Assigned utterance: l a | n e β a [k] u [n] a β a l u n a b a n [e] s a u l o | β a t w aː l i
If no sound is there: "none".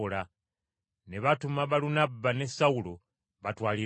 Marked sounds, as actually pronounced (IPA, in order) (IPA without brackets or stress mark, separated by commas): t, m, e